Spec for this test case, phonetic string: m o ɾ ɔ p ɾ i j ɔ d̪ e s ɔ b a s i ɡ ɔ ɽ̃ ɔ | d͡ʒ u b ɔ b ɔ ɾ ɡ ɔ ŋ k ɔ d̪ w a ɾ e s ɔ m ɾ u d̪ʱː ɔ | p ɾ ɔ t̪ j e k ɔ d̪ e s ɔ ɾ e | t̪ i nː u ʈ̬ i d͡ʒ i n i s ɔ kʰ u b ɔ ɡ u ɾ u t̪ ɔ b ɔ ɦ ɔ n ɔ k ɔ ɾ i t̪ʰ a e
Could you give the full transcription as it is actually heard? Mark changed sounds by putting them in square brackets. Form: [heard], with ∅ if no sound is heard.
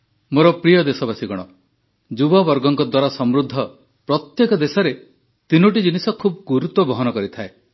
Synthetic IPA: m o ɾ ɔ p ɾ i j ɔ d̪ e s ɔ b a s i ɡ ɔ ɽ̃ ɔ | d͡ʒ u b ɔ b ɔ ɾ ɡ ɔ ŋ k ɔ d̪ w a ɾ [a] s ɔ m ɾ u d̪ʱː ɔ | p ɾ ɔ t̪ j e k ɔ d̪ e s ɔ ɾ e | t̪ i [n] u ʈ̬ i d͡ʒ i n i s ɔ kʰ u b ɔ ɡ u ɾ u t̪ ɔ b ɔ ɦ ɔ n ɔ k ɔ ɾ i t̪ʰ a e